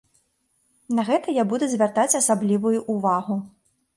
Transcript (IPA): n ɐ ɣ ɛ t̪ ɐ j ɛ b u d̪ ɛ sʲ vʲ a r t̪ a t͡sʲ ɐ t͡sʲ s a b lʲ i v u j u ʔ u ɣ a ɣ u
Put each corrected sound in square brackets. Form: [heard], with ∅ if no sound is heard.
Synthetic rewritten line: n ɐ ɣ ɛ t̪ ɐ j [a] b u d̪ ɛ [zʲ] vʲ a r t̪ a t͡sʲ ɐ [∅] s a b lʲ i v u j u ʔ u [v] a ɣ u